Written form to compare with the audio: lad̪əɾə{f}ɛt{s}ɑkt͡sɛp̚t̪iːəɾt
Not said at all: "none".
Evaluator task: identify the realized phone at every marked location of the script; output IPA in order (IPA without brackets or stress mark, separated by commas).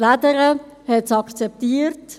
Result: h, s